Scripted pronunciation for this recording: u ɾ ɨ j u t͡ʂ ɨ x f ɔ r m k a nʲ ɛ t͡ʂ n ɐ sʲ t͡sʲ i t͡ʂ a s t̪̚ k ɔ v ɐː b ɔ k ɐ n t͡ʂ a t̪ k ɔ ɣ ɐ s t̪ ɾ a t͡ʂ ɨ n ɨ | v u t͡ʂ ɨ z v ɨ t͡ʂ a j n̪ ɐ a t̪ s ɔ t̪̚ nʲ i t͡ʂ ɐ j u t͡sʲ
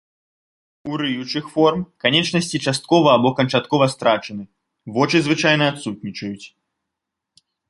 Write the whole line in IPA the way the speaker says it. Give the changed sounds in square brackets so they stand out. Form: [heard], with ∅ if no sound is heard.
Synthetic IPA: u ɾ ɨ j u t͡ʂ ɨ x f ɔ r m k a nʲ ɛ t͡ʂ n ɐ sʲ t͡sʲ i t͡ʂ a s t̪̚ k ɔ v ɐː b ɔ k ɐ n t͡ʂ a t̪ k ɔ [v] ɐ s t̪ ɾ a t͡ʂ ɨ n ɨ | v [ɔ] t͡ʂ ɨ z v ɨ t͡ʂ a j n̪ ɐ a t̪ s [u] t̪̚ nʲ i t͡ʂ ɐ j u t͡sʲ